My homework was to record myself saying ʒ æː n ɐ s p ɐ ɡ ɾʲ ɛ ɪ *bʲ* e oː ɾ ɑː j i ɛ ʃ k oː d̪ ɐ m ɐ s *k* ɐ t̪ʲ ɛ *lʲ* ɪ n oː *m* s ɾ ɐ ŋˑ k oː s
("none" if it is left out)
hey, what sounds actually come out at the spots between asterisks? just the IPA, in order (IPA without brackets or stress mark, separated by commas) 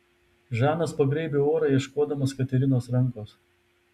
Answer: bʲ, k, ɾʲ, none